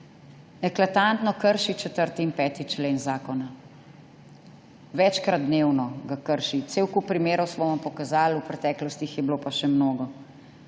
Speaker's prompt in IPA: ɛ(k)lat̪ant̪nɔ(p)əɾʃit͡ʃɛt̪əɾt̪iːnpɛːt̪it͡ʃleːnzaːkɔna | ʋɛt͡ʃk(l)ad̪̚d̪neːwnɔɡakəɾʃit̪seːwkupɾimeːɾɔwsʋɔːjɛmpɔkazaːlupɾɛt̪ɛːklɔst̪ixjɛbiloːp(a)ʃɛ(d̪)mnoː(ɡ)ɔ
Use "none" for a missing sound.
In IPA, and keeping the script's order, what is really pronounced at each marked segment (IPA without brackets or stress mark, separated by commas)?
k, k, ɾ, a, none, ɡ